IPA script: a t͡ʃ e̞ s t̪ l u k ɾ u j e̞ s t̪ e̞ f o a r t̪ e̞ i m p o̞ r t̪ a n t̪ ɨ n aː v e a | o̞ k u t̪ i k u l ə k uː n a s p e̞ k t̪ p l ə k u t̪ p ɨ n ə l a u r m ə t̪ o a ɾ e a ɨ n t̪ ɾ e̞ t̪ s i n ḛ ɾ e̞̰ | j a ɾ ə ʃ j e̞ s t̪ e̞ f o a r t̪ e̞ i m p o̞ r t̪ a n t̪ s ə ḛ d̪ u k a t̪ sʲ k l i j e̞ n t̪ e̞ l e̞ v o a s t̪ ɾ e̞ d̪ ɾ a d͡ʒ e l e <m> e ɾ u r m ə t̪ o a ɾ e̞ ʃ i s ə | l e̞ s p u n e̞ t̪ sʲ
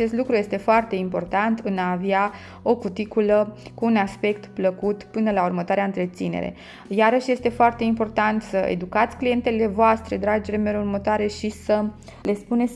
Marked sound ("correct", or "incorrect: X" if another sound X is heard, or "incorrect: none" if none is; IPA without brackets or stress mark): correct